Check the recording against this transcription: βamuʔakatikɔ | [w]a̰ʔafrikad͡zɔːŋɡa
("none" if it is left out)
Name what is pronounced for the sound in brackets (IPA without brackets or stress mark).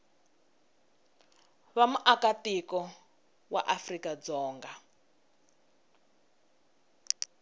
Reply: w